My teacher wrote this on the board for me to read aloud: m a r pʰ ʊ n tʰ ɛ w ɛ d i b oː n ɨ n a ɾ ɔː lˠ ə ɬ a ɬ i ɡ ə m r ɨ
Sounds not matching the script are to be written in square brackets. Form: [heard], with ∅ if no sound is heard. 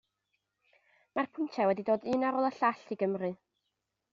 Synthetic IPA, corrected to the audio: m a r pʰ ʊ n tʰ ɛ w ɛ d i [d] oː [d] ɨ n a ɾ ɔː lˠ ə ɬ a ɬ i ɡ ə m r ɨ